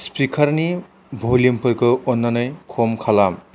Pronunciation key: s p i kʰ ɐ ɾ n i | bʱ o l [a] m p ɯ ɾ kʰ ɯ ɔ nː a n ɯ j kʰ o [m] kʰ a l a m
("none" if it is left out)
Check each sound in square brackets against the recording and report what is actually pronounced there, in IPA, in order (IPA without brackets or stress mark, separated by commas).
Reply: i, m